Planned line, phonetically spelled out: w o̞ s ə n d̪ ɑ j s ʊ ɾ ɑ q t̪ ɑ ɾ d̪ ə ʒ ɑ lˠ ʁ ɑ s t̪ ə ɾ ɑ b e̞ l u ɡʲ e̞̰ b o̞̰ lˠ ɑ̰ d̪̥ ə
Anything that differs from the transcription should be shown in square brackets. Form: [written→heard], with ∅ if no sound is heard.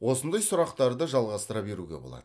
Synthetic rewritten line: w o̞ s ə n d̪ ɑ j s ʊ ɾ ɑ q t̪ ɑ ɾ d̪ ə ʒ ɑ lˠ ʁ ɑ s t̪ ə ɾ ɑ b e̞ [l→ɾ] u ɡʲ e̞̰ b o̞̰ lˠ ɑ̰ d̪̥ ə